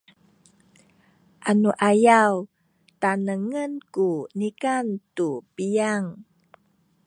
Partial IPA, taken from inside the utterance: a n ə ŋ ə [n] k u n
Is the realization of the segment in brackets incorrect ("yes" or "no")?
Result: no